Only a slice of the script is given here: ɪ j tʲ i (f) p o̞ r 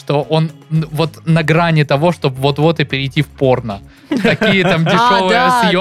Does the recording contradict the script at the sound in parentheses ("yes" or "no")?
no